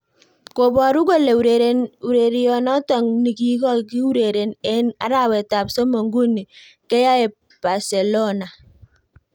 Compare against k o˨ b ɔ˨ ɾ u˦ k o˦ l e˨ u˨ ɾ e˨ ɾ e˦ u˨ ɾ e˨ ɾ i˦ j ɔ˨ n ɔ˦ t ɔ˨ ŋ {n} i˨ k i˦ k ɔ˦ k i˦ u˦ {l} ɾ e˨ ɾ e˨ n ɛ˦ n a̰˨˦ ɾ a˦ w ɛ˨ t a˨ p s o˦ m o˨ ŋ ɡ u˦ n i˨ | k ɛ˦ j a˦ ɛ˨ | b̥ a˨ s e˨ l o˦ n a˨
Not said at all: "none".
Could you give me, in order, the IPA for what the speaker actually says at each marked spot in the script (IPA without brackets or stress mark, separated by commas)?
n, none